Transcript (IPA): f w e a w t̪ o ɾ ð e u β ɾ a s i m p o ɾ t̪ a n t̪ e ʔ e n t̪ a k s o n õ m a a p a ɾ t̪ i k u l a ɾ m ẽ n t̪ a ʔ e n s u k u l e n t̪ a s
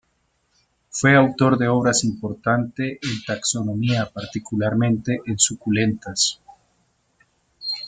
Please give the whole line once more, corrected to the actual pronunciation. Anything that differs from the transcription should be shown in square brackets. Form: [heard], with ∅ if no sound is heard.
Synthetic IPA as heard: f w e a w t̪ o ɾ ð e [o] β ɾ a s i m p o ɾ t̪ a n t̪ e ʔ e n t̪ a k s o n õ m [i] a p a ɾ t̪ i k u l a ɾ m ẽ n t̪ [e] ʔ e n s u k u l e n t̪ a s